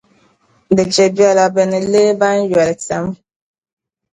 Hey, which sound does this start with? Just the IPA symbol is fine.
d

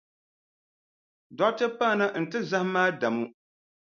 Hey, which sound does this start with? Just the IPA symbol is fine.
d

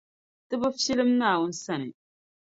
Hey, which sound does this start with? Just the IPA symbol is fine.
t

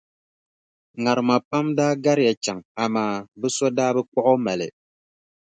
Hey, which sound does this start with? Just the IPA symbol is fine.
ŋ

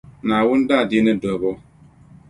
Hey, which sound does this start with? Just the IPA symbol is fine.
n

